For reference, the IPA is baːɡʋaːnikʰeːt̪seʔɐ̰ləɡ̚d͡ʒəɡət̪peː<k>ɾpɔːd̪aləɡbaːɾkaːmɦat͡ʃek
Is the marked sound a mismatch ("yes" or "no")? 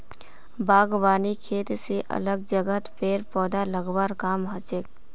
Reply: yes